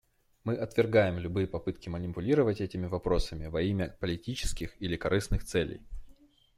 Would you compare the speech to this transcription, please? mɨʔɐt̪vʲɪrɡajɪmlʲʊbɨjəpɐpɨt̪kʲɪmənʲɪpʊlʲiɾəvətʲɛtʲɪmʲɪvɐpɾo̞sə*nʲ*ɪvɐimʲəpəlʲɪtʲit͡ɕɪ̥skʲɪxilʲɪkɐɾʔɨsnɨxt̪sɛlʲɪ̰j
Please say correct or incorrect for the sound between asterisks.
incorrect